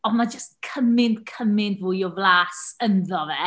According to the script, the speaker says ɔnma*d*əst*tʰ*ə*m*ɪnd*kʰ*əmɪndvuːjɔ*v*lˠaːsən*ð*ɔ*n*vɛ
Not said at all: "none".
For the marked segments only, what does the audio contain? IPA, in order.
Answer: d͡ʒ, kʰ, m, kʰ, v, ð, none

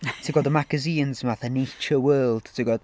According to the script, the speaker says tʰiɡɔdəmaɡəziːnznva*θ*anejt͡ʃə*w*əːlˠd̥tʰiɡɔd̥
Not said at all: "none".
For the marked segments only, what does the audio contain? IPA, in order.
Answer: θ, w

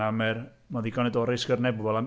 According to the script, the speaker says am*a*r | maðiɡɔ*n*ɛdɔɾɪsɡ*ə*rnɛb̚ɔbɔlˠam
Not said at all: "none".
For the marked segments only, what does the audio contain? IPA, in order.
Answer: ɛ, n, ə

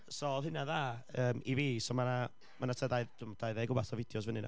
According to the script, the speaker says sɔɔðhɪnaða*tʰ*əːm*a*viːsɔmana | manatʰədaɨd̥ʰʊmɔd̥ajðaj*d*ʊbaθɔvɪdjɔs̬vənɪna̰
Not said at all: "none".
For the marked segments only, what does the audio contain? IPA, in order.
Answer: none, i, ɡ

